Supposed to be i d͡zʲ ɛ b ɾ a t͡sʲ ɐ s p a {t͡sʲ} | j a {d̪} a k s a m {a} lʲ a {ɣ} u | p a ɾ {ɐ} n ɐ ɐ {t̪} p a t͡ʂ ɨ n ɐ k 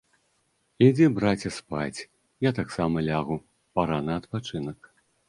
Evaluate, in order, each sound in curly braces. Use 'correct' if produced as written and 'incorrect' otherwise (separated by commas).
correct, incorrect, incorrect, correct, incorrect, correct